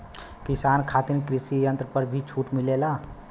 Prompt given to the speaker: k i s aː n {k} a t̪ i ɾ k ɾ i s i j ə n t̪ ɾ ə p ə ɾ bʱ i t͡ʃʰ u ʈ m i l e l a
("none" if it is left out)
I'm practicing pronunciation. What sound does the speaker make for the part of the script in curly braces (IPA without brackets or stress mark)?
kʰ